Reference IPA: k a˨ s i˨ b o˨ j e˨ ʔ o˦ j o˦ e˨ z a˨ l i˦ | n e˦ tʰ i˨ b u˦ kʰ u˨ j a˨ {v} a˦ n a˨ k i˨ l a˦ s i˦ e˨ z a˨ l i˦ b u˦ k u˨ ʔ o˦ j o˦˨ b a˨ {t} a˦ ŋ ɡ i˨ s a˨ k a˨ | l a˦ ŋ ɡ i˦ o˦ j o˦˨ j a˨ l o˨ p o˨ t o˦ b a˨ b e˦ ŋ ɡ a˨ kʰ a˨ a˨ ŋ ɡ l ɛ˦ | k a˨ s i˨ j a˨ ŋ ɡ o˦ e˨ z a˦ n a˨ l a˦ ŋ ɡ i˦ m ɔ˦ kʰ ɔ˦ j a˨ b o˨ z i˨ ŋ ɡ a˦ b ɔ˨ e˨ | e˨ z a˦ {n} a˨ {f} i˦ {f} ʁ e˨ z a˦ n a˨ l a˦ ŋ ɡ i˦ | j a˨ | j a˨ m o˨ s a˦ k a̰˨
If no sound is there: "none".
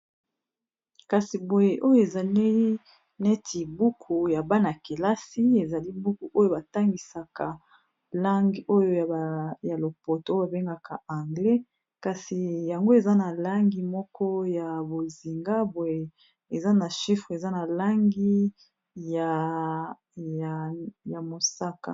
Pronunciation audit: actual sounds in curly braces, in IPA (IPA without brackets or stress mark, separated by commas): b, t, n, ʃ, f